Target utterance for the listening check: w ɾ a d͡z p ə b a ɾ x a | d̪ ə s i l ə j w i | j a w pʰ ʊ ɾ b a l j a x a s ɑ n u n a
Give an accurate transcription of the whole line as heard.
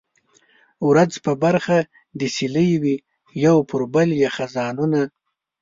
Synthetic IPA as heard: w ɾ a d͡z p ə b a ɾ x a | d̪ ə s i l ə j w i | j a w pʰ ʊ ɾ b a l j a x a z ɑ n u n a